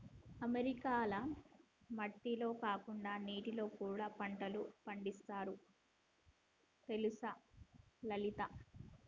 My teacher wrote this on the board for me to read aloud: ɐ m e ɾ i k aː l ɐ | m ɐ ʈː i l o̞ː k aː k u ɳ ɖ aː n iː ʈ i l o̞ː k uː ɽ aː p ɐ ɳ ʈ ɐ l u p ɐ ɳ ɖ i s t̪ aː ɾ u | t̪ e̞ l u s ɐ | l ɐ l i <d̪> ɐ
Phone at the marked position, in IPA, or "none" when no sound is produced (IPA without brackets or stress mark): t̪